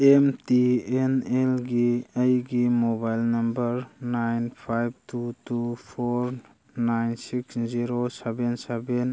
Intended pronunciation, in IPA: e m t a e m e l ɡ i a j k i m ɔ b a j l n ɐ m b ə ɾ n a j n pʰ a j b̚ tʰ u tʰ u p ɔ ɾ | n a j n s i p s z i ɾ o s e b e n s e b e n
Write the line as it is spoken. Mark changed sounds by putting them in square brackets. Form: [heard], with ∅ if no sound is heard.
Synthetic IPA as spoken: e m t [i] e [n] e l ɡ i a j [ɡ] i m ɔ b a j l n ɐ m b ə ɾ n a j n pʰ a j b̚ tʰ u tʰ u [pʰ] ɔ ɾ | n a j n s i [k] s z i ɾ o s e b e n s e b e n

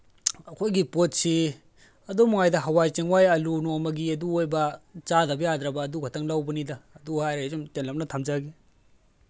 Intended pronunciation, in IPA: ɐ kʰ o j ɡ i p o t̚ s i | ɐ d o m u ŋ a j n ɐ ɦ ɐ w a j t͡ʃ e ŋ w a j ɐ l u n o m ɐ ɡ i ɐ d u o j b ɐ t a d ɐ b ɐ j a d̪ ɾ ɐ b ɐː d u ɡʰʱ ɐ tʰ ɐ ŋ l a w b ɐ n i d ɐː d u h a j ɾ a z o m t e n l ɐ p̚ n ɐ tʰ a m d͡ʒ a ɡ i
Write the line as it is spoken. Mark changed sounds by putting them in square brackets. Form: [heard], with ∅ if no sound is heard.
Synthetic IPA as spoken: ɐ kʰ o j ɡ i p o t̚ s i | ɐ d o m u ŋ a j [d] ɐ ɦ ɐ w a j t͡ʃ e ŋ w a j ɐ l u n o m ɐ ɡ i ɐ d u o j b ɐ [t͡ʃ] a d ɐ b ɐ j a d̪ ɾ ɐ b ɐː d u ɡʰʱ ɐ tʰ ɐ ŋ l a w b ɐ n i d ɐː d u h a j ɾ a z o m t e n l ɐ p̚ n ɐ tʰ a m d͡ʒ a ɡ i

